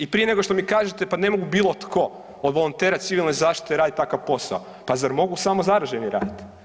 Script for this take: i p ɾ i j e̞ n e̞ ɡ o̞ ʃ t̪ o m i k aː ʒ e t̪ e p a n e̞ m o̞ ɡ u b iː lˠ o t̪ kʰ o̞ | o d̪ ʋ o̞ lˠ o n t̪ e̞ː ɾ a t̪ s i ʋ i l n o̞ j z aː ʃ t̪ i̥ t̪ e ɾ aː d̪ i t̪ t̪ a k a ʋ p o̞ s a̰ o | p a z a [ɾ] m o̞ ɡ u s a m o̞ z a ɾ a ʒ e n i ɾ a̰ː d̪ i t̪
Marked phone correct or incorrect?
correct